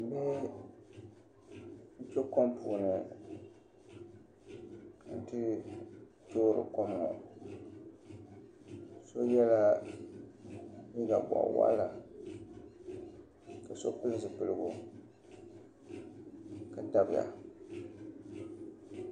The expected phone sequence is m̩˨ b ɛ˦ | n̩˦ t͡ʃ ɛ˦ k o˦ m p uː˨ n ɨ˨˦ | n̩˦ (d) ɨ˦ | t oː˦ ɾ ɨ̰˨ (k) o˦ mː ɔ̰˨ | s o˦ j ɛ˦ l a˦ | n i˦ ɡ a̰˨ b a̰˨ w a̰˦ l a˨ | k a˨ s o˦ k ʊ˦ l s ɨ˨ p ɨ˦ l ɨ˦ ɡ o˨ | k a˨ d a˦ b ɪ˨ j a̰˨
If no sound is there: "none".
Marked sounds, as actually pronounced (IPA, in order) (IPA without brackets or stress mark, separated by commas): t, k